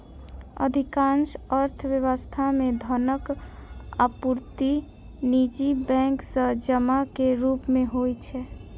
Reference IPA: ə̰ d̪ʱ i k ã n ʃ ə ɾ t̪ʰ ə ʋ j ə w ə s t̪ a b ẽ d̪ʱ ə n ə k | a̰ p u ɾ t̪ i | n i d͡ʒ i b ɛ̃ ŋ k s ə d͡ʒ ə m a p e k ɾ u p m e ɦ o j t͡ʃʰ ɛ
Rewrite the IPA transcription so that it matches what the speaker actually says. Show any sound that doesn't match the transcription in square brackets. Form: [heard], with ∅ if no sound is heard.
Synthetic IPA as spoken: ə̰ d̪ʱ i k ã n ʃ ə ɾ t̪ʰ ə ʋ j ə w ə s [t̪ʰ] a [m] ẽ d̪ʱ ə n ə k | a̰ p u ɾ t̪ i | n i d͡ʒ i b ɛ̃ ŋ k s ə d͡ʒ ə m a [k] e [∅] ɾ u p m e ɦ o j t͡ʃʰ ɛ